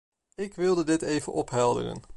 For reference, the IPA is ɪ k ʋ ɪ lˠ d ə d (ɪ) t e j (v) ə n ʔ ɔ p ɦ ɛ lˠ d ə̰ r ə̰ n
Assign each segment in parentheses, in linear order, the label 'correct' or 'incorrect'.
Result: correct, correct

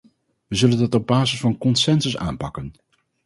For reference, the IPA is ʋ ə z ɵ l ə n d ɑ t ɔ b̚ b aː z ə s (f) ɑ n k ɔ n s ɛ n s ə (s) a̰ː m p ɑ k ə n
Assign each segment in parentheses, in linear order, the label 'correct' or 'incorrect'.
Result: correct, correct

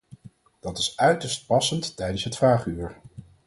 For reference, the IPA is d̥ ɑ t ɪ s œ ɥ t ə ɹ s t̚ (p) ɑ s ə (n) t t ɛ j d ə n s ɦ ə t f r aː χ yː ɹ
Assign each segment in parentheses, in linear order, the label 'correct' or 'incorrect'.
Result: correct, correct

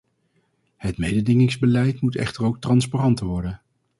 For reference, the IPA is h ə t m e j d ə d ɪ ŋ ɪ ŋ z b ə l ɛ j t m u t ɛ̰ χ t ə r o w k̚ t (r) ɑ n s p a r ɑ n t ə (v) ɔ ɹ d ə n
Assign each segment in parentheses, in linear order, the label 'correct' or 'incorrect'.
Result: correct, incorrect

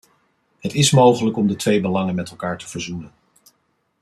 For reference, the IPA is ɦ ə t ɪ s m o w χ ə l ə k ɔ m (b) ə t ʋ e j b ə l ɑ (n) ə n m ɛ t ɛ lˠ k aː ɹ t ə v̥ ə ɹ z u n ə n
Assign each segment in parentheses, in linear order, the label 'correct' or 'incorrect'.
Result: incorrect, incorrect

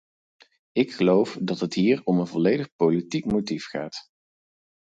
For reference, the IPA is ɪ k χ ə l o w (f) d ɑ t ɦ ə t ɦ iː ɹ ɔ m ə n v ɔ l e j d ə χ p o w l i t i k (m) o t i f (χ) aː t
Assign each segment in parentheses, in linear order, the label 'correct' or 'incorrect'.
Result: correct, correct, correct

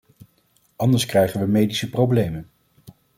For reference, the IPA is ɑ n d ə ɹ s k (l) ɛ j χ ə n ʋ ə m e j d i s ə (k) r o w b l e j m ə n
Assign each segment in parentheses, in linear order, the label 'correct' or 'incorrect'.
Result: incorrect, incorrect

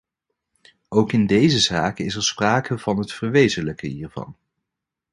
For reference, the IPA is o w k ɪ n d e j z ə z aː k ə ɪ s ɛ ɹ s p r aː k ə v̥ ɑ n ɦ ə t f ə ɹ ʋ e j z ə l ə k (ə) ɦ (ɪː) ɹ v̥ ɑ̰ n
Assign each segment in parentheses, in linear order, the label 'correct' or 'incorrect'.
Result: correct, incorrect

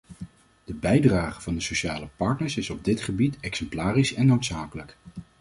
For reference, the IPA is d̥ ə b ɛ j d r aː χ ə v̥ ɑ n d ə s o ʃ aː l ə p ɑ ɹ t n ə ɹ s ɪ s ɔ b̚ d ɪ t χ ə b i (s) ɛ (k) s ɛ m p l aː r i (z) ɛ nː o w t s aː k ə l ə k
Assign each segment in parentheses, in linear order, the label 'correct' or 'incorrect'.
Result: incorrect, correct, incorrect

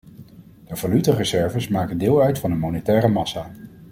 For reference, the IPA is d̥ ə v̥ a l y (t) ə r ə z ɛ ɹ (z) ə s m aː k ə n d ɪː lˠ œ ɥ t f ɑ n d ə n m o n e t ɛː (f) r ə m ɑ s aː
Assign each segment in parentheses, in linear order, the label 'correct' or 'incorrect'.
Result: correct, incorrect, incorrect

